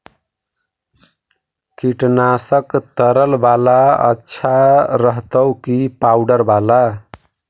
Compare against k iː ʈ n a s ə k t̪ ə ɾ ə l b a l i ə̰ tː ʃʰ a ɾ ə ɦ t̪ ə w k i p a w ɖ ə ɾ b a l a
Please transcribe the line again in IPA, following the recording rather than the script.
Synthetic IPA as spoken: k i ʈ n a s ə k t̪ ə ɾ ə l b a l a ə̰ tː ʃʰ a ɾ ə ɦ t̪ ə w k i p a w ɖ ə ɾ b a l a